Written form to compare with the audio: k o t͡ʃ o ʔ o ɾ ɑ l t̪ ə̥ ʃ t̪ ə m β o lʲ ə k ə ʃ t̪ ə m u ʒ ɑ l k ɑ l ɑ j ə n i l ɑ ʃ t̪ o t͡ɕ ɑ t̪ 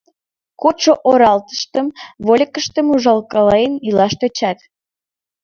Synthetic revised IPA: k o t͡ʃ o ʔ o ɾ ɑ l t̪ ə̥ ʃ t̪ ə m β o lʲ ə k ə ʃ t̪ ə m u ʒ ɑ l k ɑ l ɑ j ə n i l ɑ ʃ t̪ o t͡ɕ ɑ t̪